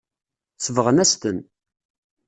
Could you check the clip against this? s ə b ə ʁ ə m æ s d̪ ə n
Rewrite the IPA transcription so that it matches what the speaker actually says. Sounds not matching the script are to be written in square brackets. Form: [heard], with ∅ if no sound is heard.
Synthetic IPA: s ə [v] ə ʁ ə [n] æ s [t̪] ə n